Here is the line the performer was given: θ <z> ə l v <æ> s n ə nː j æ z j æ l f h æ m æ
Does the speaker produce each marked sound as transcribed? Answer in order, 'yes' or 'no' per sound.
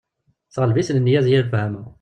no, no

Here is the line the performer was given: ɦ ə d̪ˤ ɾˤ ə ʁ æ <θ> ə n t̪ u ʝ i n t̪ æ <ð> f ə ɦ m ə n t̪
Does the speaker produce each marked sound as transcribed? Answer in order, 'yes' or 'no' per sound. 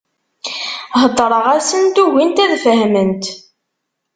no, yes

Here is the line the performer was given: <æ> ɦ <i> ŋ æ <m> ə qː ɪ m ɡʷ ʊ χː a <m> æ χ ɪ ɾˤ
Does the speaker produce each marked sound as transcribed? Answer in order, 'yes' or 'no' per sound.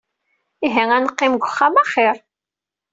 no, no, no, yes

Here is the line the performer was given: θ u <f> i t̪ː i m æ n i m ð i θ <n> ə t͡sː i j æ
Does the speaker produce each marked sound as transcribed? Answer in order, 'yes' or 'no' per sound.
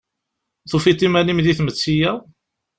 yes, no

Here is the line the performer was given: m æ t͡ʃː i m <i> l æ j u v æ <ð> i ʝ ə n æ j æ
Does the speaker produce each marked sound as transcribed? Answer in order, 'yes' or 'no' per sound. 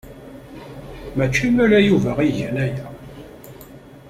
no, no

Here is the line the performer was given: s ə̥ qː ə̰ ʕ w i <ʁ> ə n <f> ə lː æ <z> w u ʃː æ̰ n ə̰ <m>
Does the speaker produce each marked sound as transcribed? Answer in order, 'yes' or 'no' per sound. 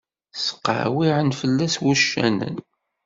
no, yes, no, no

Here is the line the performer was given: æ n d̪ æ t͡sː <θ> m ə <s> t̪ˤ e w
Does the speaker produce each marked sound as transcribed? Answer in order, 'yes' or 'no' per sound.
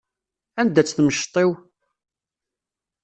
yes, no

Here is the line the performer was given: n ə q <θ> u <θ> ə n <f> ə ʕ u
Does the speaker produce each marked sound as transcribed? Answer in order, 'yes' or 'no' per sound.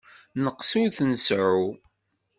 no, yes, no

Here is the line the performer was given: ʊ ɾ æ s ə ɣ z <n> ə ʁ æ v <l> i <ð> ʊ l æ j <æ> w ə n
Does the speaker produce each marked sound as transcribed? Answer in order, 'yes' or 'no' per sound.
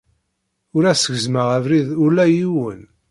no, no, yes, no

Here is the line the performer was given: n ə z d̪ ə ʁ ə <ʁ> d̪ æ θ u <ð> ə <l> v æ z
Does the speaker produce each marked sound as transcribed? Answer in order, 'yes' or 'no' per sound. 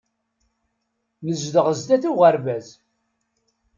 no, no, no

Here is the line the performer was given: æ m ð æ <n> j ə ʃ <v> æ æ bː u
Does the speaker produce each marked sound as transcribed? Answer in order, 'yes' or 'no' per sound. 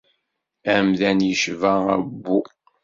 yes, yes

